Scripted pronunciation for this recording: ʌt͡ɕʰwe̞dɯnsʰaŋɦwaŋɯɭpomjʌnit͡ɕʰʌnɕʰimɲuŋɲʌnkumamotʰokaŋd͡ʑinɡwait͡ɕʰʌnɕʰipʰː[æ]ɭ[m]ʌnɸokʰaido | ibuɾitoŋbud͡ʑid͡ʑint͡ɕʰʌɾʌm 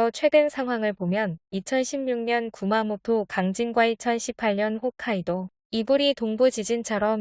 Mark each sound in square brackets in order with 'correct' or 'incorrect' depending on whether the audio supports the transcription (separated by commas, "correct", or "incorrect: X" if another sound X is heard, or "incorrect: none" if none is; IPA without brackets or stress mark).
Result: incorrect: a, incorrect: ɲ